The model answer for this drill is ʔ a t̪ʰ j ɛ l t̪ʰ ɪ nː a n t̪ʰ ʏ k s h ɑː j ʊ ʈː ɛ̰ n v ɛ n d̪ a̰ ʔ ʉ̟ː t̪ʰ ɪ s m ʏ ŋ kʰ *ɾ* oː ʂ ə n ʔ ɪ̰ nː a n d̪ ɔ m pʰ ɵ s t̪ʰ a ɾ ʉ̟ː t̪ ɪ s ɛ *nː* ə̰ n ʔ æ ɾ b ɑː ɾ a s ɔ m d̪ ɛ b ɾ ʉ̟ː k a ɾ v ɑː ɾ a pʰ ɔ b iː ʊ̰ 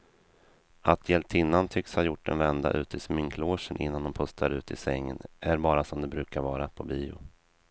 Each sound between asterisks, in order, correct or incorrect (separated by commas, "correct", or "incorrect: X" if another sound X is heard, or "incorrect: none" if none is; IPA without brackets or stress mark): incorrect: l, incorrect: ŋː